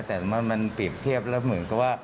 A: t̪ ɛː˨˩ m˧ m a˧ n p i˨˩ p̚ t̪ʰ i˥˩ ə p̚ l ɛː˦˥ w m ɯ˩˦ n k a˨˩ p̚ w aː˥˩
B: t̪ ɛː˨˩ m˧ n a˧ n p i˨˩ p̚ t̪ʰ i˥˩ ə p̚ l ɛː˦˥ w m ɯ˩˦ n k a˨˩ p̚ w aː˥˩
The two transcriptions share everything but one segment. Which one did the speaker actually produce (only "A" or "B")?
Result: A